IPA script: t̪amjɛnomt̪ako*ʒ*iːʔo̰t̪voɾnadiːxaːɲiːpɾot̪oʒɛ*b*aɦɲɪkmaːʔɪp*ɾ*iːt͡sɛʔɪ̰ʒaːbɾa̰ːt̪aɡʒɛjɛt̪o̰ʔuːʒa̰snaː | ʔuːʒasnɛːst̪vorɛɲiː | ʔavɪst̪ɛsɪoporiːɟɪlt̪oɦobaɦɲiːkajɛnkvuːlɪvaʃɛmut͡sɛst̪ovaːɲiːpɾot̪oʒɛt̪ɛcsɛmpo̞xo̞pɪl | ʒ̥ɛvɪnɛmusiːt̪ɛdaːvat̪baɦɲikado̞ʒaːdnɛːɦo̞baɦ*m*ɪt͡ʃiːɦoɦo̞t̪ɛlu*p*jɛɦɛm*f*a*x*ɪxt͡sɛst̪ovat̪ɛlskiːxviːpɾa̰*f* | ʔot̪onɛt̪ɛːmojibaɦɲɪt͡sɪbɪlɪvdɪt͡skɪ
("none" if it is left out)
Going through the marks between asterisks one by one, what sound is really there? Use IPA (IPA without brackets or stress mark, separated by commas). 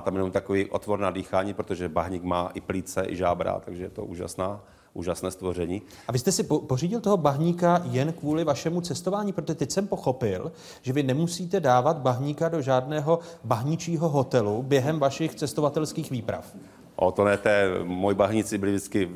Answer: v, b, l, ɲ, b, v, ʃ, f